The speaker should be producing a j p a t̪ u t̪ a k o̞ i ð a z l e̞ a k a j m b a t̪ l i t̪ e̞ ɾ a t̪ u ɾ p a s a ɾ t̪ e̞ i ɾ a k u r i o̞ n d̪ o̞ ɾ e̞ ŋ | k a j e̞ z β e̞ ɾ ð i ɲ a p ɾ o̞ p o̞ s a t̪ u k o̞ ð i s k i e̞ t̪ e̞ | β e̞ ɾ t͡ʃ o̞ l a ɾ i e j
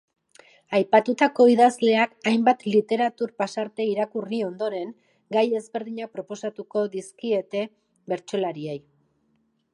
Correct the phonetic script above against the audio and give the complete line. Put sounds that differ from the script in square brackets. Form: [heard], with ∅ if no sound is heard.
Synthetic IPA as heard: a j p a t̪ u t̪ a k o̞ i ð a z l e̞ a k a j m b a t̪ l i t̪ e̞ ɾ a t̪ u ɾ p a s a ɾ t̪ e̞ i ɾ a k u r i o̞ n d̪ o̞ ɾ e̞ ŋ | [ɡ] a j e̞ z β e̞ ɾ ð i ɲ a p ɾ o̞ p o̞ s a t̪ u k o̞ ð i s k i e̞ t̪ e̞ | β e̞ ɾ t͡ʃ o̞ l a ɾ i e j